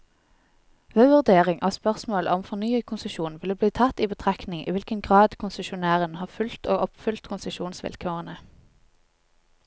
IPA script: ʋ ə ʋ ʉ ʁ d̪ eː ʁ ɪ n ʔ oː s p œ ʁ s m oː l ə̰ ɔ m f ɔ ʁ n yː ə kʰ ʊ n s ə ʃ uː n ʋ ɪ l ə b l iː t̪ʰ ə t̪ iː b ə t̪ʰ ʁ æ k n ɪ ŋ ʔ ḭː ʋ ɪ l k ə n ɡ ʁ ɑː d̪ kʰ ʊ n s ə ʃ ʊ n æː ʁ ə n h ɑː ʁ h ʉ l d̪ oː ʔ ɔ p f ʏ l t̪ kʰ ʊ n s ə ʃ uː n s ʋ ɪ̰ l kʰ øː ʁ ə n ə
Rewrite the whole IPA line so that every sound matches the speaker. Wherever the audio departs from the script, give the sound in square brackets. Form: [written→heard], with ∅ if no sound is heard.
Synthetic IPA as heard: ʋ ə ʋ ʉ ʁ d̪ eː ʁ ɪ [n→ŋ] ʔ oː s p œ ʁ s m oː l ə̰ ɔ m f ɔ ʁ n yː ə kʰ ʊ n s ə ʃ uː n ʋ ɪ l ə b l iː t̪ʰ [ə→ɑ] t̪ iː b ə t̪ʰ ʁ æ k n ɪ ŋ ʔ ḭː ʋ ɪ l k ə n ɡ ʁ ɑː d̪ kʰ ʊ n s ə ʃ ʊ n æː ʁ ə n h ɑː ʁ [h→f] ʉ l [d̪→t̪] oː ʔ ɔ p f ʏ l t̪ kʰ ʊ n s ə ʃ uː n s ʋ ɪ̰ l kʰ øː ʁ ə n ə

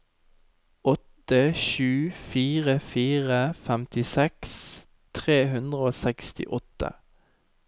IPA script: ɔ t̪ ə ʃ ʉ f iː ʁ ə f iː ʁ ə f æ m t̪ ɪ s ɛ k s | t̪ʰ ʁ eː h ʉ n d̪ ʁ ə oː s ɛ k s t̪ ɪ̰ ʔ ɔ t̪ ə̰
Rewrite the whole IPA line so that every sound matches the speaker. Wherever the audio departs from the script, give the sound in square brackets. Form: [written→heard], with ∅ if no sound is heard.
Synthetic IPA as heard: ɔ t̪ ə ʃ [ʉ→ʉː] f iː ʁ ə f iː ʁ ə f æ m t̪ ɪ s ɛ k s | t̪ʰ ʁ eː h ʉ n d̪ ʁ ə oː s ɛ k s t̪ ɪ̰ ʔ ɔ t̪ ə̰

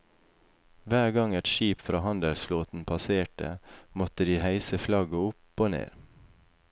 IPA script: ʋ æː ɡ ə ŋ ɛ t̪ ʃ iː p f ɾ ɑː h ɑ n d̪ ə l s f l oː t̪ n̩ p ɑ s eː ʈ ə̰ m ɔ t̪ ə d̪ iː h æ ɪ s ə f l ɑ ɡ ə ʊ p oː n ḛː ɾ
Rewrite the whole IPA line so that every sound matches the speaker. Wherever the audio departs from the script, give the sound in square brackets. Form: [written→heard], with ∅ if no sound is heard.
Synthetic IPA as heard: ʋ æː ɡ [ə→ɑ] ŋ ɛ t̪ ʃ iː p f ɾ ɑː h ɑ n d̪ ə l s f l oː t̪ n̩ [p→pʰ] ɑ s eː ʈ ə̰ m ɔ t̪ ə d̪ iː h æ ɪ s ə f l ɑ ɡ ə ʊ p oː n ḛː ɾ

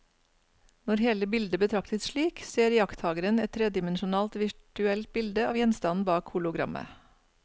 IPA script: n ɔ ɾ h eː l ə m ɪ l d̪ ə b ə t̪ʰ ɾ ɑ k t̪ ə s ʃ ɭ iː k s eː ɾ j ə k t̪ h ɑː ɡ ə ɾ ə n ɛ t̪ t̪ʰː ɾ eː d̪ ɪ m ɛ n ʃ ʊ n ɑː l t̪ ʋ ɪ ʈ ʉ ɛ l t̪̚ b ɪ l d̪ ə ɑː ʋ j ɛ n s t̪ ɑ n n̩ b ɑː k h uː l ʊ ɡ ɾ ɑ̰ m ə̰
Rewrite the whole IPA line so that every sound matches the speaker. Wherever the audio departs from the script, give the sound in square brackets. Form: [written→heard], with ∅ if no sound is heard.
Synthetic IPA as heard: n ɔ ɾ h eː l ə [m→b] ɪ l d̪ ə b ə t̪ʰ ɾ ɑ k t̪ ə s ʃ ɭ iː k s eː ɾ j [ə→ɑ] k t̪ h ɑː ɡ ə ɾ ə n ɛ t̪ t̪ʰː ɾ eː d̪ ɪ m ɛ n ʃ ʊ n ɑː l t̪ ʋ ɪ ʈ ʉ ɛ l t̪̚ b ɪ l d̪ ə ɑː ʋ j ɛ n s t̪ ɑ n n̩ b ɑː k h uː l ʊ ɡ ɾ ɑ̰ m ə̰

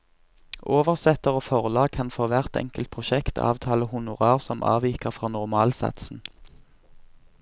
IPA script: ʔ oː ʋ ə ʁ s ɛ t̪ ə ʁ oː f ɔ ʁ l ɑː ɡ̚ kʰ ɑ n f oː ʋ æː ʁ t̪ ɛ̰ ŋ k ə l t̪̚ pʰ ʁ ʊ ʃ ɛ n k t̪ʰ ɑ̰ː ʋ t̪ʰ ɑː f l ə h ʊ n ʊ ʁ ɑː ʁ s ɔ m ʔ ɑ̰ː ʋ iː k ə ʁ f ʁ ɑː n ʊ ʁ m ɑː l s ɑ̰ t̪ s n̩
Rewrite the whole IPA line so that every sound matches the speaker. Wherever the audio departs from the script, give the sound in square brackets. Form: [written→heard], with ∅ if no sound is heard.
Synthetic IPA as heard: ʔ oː ʋ ə ʁ s ɛ t̪ ə ʁ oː f ɔ ʁ l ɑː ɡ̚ kʰ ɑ n f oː ʋ [æː→æ] ʁ t̪ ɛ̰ ŋ k ə l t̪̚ pʰ ʁ ʊ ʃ ɛ [n→∅] k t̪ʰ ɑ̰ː ʋ t̪ʰ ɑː [f→∅] l ə h ʊ n ʊ ʁ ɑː ʁ s ɔ m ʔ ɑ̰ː ʋ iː k ə ʁ f ʁ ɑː n ʊ ʁ m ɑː l s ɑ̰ t̪ s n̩

